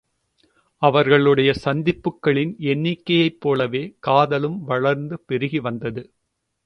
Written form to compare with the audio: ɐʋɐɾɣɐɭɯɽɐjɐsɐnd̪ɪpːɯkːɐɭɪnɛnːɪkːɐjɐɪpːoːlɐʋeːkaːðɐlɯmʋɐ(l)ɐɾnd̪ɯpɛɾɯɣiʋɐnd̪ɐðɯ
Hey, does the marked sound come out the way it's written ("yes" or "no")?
no